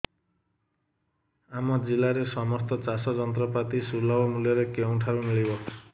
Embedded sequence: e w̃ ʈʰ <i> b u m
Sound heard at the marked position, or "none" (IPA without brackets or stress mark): a